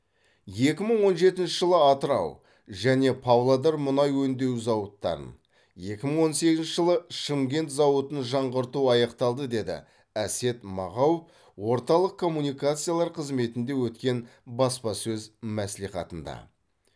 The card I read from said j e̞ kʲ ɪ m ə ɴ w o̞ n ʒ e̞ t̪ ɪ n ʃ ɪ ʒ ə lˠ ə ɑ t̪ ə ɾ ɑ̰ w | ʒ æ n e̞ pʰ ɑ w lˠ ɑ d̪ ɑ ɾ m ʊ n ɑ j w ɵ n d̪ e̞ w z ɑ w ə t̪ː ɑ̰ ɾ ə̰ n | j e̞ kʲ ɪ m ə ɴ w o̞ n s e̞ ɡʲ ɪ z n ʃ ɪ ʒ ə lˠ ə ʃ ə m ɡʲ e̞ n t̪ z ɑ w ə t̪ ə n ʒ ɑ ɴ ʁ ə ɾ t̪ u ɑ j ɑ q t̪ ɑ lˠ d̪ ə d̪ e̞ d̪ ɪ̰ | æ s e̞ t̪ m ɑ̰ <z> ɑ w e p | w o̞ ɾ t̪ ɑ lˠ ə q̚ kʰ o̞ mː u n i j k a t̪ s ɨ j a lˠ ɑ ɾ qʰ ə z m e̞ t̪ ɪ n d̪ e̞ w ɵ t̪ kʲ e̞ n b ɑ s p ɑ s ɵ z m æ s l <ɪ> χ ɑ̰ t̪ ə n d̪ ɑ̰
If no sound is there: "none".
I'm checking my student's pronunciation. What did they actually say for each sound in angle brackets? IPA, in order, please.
ʁ, i

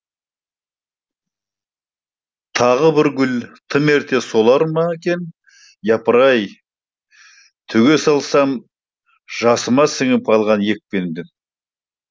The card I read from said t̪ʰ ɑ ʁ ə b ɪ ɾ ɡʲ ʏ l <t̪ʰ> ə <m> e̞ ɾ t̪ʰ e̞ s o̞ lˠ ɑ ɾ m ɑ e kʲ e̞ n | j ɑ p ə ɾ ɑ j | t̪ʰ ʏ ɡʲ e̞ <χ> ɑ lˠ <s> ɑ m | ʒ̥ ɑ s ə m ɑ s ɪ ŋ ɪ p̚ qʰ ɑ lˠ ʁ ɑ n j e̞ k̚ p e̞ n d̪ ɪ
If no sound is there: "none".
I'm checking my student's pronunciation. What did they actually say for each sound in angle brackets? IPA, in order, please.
t̪ʰ, m, s, s

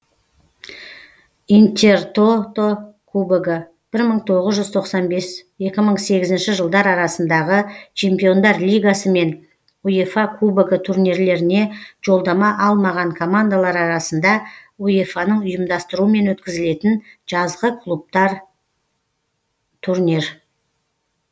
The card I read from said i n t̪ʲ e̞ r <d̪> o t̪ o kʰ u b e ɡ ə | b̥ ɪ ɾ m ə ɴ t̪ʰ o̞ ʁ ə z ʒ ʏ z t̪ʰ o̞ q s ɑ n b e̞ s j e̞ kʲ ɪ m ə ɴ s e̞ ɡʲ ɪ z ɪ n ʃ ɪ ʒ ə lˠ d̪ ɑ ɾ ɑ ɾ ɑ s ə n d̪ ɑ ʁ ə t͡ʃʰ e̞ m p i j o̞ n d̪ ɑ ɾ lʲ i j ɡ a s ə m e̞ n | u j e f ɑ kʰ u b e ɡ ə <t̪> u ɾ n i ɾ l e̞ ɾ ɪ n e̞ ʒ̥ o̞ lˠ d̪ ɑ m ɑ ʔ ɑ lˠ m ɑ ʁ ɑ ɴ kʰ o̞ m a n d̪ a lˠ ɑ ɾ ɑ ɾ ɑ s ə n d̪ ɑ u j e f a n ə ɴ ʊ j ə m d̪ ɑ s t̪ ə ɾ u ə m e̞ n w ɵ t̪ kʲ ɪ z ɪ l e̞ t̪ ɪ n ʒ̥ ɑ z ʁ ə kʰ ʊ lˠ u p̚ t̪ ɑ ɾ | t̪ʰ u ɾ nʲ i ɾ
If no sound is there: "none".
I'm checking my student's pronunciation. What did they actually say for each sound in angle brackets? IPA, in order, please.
t̪, t̪ʰ

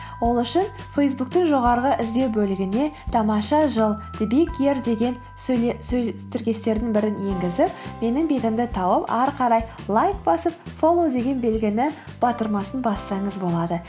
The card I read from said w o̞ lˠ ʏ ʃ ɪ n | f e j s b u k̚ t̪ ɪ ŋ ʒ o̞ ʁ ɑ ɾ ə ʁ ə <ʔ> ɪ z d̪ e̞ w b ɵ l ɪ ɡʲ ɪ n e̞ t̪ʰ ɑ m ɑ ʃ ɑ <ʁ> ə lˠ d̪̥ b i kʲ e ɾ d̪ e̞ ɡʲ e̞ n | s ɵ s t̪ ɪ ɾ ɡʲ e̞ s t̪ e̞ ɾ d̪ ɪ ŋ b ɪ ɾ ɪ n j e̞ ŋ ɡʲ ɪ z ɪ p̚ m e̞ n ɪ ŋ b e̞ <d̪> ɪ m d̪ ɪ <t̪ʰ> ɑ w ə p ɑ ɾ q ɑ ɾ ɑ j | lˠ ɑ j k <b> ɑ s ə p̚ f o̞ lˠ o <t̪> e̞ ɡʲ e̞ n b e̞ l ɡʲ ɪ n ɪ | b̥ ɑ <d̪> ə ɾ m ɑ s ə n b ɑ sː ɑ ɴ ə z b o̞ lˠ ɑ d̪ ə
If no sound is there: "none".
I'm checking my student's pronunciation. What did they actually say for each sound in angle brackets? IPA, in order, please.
ʔ, ʒ, t̪, t̪ʰ, b, d̪, t̪

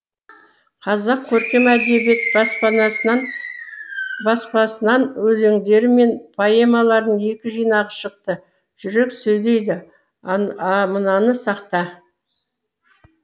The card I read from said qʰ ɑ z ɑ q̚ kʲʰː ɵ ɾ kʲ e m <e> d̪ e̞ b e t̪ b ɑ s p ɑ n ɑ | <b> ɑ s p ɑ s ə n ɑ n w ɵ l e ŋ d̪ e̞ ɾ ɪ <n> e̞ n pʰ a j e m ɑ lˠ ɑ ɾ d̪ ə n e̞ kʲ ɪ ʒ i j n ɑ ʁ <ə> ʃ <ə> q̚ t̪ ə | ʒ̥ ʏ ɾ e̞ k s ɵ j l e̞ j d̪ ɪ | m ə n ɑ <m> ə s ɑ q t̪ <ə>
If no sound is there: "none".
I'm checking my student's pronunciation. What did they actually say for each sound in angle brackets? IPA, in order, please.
æ, b, m, ə, ə, n, ɑ

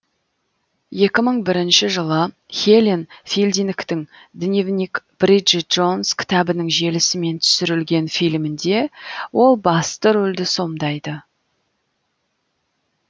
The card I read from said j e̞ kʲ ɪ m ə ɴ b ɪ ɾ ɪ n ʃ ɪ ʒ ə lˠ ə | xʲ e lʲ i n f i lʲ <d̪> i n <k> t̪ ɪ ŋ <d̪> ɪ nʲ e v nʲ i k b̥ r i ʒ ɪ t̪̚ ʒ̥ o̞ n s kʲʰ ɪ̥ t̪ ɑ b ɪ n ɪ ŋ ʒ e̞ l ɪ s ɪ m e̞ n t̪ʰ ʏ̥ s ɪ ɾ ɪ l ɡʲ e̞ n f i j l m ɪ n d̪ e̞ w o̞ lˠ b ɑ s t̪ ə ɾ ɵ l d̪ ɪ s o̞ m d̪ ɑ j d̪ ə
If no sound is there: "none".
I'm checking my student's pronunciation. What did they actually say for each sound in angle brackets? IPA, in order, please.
d̪, k, d̪

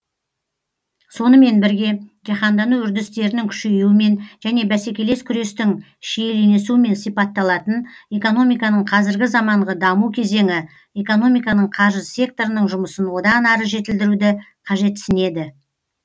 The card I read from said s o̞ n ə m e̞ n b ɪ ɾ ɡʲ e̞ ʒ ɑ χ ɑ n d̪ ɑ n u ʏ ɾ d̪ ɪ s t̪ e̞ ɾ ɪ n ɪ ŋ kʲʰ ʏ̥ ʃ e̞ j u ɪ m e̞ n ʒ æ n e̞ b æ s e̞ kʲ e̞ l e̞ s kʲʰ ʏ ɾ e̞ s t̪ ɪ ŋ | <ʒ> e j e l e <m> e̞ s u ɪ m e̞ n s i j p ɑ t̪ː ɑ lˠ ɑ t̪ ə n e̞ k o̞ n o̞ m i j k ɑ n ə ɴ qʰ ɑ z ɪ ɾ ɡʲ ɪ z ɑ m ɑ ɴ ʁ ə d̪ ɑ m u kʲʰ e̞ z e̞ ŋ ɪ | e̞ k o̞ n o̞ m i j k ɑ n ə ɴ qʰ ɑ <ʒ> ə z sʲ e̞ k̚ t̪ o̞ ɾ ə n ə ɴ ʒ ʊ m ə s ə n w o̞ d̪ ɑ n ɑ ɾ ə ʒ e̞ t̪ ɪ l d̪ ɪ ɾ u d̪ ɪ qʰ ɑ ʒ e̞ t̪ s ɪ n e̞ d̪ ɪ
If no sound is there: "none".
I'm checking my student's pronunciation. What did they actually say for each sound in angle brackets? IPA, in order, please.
ʃ, n, ʒ

